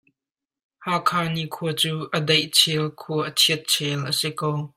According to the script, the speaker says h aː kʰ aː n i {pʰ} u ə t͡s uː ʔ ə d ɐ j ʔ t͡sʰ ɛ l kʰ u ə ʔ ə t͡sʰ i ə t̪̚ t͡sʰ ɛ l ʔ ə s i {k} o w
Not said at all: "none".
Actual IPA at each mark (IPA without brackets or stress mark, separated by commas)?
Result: kʰ, k